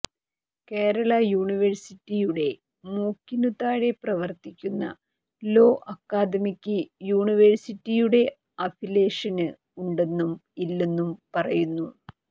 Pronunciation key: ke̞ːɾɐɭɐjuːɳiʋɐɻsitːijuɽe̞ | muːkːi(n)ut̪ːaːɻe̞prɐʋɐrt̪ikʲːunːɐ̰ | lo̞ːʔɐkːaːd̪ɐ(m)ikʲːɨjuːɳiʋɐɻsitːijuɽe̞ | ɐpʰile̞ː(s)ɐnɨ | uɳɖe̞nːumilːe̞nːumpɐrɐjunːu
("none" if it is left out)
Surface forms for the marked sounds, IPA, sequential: n, m, ʂ

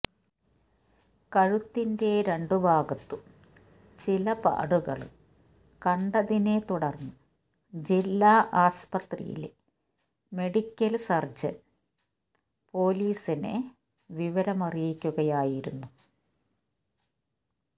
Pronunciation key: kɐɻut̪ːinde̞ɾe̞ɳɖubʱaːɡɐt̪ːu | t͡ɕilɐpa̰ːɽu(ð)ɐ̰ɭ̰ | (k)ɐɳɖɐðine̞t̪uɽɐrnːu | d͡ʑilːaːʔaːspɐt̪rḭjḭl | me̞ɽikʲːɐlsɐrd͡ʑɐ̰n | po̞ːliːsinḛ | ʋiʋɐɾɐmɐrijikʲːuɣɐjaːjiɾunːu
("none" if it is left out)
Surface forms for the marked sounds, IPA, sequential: ɣ, k

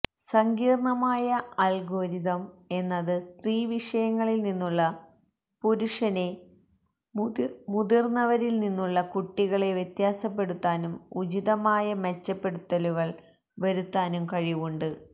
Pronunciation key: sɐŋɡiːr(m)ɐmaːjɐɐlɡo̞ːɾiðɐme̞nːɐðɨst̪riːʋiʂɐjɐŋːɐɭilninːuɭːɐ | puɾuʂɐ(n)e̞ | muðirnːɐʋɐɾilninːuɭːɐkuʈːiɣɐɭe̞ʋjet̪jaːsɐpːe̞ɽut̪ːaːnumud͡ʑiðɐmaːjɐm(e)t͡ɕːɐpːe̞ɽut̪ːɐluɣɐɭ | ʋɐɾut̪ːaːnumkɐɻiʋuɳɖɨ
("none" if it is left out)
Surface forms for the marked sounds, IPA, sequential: ɳ, n, e

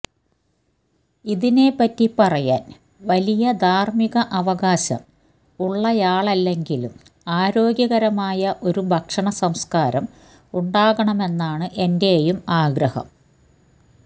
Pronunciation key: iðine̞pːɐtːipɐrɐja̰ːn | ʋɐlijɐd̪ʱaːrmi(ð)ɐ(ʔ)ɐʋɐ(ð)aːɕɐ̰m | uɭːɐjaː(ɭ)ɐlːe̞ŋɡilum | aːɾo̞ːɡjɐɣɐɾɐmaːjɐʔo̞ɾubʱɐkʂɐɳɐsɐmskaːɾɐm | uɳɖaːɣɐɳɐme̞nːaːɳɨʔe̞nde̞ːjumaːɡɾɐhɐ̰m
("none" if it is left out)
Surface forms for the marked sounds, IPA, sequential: ɣ, ʔ, ɣ, ɭ

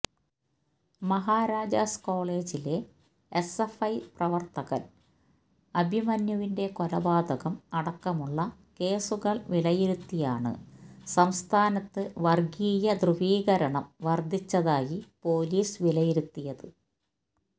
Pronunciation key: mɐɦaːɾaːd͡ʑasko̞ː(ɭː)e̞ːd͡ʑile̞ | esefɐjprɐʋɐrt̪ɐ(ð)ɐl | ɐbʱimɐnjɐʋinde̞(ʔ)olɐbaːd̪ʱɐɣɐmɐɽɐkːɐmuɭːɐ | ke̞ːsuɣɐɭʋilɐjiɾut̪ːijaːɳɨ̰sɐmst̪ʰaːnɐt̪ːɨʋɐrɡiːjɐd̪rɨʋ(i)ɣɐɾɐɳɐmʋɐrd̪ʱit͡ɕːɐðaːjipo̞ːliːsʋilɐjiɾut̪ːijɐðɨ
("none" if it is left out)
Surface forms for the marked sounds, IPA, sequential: ɭ, ɣ, k, iː

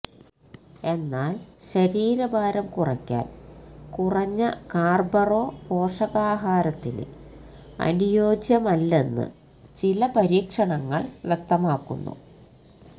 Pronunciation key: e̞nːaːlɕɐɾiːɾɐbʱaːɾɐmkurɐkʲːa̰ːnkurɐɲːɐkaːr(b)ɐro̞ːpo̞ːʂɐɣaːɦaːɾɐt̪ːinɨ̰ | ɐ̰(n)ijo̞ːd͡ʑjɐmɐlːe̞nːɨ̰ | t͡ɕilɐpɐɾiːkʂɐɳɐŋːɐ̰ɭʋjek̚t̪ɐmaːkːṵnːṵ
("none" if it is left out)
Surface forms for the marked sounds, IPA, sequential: b, n

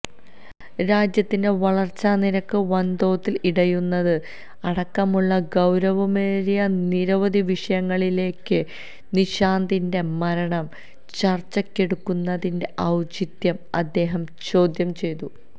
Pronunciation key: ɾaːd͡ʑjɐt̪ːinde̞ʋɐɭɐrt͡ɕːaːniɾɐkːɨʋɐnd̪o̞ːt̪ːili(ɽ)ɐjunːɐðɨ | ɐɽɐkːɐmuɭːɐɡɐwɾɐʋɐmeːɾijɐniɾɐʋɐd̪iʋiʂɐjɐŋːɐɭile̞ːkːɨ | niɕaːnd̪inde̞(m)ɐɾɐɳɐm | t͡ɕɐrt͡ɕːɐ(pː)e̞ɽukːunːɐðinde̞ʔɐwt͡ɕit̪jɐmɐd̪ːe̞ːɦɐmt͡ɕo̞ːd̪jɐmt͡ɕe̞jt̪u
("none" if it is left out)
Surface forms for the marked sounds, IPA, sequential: ɽ, m, kː

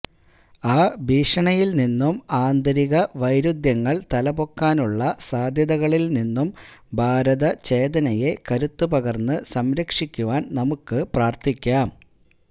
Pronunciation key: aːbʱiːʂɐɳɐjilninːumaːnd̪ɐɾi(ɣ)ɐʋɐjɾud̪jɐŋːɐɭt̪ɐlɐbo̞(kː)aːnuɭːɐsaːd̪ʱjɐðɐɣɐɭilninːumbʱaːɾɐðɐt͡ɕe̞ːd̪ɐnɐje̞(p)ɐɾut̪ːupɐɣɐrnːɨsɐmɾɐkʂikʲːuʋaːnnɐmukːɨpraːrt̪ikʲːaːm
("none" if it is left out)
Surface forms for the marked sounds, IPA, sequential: ɣ, kː, k

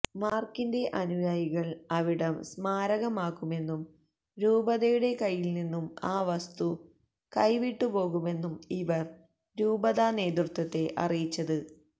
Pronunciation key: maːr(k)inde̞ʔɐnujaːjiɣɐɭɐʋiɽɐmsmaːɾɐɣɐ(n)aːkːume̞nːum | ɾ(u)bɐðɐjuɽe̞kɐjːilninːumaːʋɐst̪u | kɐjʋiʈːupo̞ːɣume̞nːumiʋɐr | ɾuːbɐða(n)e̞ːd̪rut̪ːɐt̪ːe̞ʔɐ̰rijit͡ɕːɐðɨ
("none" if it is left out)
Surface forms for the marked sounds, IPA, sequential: k, m, uː, n

